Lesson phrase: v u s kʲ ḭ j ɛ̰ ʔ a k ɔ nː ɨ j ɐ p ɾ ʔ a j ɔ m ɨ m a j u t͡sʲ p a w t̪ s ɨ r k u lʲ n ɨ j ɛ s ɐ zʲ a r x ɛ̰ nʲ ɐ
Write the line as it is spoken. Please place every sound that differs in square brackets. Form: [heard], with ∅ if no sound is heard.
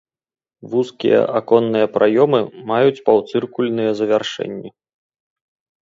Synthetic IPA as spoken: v u s kʲ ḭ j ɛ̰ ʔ a k ɔ nː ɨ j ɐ p ɾ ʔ a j ɔ m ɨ m a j u t͡sʲ p a w t̪ s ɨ r k u lʲ n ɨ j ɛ [z] ɐ [vʲ] a r [ʂ] ɛ̰ [nʲː] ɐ